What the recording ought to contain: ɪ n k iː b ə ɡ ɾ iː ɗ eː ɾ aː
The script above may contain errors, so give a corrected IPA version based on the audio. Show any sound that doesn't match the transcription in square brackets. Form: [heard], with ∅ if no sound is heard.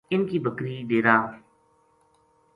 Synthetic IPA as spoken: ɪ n k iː b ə [k] ɾ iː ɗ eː ɾ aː